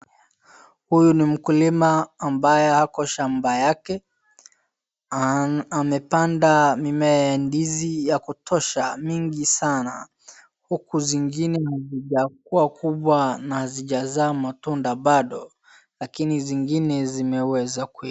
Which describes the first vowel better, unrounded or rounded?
rounded